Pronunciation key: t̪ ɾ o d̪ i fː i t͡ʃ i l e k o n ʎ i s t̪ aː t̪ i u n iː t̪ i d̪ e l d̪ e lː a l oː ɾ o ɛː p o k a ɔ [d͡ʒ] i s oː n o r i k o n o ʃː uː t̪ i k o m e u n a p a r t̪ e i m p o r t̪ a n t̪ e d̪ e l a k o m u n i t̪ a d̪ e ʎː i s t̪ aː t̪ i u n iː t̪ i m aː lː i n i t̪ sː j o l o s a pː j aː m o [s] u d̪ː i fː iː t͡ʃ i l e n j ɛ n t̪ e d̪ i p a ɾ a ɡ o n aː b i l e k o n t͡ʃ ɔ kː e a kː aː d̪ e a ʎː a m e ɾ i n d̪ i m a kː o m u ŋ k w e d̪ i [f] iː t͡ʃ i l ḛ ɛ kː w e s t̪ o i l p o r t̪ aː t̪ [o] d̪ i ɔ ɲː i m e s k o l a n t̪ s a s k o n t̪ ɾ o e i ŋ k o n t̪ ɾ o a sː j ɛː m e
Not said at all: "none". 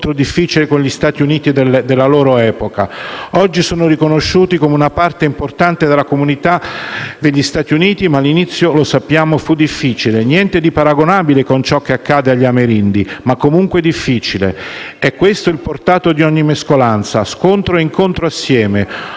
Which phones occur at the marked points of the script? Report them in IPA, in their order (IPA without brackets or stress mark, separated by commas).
d͡ʒː, f, fː, o